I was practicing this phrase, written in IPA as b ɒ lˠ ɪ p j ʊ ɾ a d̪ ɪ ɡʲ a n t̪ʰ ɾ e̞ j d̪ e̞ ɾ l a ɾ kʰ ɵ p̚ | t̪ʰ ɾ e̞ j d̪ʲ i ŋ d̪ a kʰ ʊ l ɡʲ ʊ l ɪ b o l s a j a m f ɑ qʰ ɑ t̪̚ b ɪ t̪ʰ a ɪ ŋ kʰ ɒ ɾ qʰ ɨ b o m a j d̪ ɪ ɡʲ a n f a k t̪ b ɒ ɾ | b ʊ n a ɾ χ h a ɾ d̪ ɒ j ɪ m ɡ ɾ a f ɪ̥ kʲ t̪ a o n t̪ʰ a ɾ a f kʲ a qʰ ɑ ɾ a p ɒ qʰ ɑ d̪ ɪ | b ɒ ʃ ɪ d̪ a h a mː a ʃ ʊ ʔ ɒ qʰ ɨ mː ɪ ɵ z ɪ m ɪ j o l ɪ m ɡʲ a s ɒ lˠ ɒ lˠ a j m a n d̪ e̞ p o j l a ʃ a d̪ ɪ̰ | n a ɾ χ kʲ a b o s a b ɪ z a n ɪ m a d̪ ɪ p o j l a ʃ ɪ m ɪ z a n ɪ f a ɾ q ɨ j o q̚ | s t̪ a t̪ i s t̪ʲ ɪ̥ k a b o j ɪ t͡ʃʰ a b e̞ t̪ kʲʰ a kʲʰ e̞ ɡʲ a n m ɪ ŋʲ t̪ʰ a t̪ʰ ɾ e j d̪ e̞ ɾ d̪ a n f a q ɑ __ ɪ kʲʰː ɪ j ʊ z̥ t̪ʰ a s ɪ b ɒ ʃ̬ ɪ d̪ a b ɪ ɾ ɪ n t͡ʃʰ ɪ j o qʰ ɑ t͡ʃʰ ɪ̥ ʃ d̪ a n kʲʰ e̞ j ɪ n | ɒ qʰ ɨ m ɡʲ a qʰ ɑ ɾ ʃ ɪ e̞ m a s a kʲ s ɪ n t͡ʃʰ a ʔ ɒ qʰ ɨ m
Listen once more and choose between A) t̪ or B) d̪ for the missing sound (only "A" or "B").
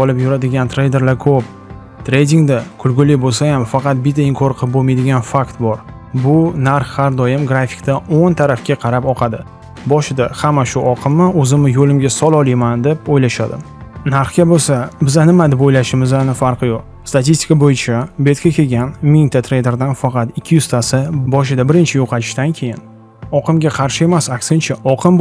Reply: A